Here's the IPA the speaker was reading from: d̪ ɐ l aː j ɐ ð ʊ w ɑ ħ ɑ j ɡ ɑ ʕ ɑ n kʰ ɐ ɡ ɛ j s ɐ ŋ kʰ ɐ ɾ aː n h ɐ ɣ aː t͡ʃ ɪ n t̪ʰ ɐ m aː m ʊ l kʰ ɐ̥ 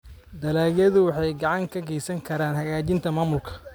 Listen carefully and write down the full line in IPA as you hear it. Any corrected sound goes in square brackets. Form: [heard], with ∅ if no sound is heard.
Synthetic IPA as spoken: d̪ ɐ l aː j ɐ ð ʊ w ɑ ħ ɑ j ɡ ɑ ʕ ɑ [ŋ] kʰ ɐ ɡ ɛ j s ɐ ŋ kʰ ɐ ɾ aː n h ɐ ɣ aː t͡ʃ ɪ n t̪ʰ ɐ m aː m ʊ l kʰ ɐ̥